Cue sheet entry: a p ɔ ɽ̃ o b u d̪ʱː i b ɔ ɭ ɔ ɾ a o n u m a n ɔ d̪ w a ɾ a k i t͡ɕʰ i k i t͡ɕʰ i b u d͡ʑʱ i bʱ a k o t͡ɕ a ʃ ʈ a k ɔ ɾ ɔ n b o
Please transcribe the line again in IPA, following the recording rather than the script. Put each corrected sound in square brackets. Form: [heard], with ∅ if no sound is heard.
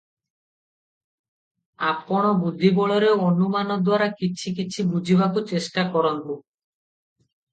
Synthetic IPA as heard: a p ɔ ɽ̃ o b u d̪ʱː i b ɔ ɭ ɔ ɾ [e] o n u m a n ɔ d̪ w a ɾ a k i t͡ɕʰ i k i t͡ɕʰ i b u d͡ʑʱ i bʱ a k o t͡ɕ [e] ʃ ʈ a k ɔ ɾ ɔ n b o